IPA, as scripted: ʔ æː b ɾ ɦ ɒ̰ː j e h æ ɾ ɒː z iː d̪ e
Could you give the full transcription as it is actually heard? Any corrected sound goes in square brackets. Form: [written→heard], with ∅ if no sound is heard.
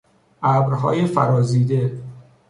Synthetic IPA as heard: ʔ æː b ɾ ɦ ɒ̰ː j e [h→f] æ ɾ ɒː z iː d̪ e